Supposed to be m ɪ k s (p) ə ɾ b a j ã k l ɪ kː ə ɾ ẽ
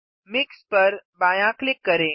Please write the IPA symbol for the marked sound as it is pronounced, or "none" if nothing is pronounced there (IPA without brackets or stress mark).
p